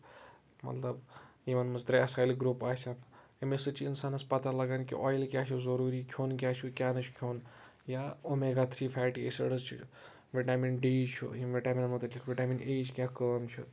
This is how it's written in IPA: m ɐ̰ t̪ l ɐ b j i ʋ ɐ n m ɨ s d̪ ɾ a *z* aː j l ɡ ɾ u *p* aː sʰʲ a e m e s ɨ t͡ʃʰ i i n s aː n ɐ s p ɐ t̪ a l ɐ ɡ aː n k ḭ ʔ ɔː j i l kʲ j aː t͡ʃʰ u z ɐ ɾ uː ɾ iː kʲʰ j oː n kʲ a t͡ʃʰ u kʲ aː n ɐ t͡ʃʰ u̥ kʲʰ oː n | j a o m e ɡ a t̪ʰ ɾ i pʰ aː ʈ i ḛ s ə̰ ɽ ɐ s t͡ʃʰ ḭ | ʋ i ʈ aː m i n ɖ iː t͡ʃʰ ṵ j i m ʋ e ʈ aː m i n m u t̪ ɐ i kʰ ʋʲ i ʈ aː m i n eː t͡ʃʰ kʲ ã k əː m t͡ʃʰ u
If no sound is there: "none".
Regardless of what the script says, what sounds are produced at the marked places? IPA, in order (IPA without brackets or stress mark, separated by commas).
s, p